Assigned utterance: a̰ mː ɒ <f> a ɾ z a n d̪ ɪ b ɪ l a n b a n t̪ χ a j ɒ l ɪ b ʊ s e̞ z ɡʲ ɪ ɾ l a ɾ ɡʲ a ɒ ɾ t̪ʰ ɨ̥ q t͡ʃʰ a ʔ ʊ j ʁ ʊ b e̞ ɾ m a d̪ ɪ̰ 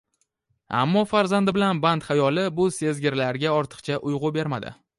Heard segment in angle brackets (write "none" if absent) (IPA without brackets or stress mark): f